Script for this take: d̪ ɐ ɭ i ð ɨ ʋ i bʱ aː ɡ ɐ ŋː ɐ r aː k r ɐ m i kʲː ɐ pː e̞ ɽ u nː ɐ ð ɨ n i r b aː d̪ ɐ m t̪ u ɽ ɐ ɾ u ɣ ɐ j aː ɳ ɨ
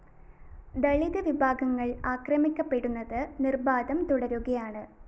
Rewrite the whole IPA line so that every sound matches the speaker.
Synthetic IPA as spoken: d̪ ɐ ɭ i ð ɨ ʋ i bʱ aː ɡ ɐ ŋː ɐ ɭ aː k r ɐ m i kʲː ɐ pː e̞ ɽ u nː ɐ ð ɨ n i r b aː d̪ ɐ m t̪ u ɽ ɐ ɾ u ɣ ɐ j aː ɳ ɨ